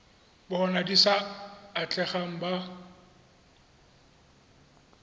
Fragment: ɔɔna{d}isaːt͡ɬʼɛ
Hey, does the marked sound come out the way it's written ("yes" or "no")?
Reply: yes